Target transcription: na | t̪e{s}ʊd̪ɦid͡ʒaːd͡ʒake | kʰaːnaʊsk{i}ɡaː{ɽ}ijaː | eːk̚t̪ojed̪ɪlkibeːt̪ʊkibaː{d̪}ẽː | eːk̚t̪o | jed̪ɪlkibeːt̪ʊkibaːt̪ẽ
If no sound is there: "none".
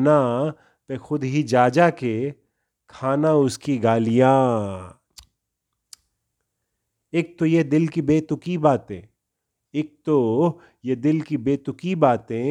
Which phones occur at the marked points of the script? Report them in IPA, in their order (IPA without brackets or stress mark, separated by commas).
x, i, l, t̪